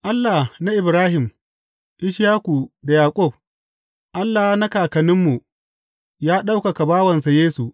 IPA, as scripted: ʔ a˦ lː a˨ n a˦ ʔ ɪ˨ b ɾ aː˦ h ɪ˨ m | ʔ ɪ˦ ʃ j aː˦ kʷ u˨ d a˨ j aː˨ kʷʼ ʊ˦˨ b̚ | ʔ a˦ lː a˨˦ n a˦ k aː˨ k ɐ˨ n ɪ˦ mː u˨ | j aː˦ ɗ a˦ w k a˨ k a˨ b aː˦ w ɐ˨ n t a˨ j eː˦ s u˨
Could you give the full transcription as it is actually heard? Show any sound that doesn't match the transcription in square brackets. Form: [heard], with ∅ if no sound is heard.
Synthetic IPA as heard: ʔ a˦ lː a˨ n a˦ ʔ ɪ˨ b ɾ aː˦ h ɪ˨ m | ʔ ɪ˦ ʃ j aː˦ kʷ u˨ d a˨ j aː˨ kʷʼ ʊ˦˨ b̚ | ʔ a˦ lː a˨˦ n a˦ k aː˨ k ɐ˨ n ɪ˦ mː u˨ | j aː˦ ɗ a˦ w k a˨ k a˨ b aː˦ w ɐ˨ n [s] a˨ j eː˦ s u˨